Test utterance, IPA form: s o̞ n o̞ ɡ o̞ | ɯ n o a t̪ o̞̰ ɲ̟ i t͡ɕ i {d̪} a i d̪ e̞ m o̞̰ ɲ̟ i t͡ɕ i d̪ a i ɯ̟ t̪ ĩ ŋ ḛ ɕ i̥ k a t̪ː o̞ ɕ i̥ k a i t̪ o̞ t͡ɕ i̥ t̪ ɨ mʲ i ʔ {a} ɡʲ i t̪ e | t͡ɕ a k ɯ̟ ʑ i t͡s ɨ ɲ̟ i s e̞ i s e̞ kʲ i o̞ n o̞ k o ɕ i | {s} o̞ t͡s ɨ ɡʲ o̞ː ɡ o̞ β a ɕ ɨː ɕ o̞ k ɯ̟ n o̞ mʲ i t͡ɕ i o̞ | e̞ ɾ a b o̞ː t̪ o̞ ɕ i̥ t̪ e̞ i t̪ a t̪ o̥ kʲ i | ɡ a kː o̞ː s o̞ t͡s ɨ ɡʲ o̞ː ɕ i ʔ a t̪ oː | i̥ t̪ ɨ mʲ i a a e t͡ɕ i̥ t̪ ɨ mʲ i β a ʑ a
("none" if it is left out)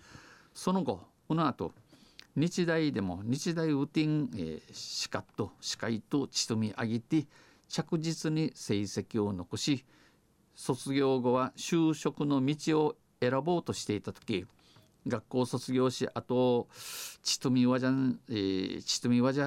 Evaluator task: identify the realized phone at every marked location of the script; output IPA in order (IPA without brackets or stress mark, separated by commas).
d̪, a, s